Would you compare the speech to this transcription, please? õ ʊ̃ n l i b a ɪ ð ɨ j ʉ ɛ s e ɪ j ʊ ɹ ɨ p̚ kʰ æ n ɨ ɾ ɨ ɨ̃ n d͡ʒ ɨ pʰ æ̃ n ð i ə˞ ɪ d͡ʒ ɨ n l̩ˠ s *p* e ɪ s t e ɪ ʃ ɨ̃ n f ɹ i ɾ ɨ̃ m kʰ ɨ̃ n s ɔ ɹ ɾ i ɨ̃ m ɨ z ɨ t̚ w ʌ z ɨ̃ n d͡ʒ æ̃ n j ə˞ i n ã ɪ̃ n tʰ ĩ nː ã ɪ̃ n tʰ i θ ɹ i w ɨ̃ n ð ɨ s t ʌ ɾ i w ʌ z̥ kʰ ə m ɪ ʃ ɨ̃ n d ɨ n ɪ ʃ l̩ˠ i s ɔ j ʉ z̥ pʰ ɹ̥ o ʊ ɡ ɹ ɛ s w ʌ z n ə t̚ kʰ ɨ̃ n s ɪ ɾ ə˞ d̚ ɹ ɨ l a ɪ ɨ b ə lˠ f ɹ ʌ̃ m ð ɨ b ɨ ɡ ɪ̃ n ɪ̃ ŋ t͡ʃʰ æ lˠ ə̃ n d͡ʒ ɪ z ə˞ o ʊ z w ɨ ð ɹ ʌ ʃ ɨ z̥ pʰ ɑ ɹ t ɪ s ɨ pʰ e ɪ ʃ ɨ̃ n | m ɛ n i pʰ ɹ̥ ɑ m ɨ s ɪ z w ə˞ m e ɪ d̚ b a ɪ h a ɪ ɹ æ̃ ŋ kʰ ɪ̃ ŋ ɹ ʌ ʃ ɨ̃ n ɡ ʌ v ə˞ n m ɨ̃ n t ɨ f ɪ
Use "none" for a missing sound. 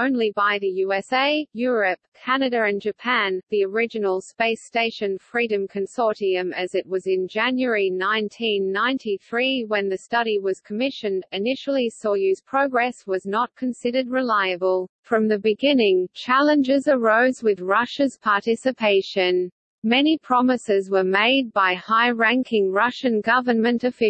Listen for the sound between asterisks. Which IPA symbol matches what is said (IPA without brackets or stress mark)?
p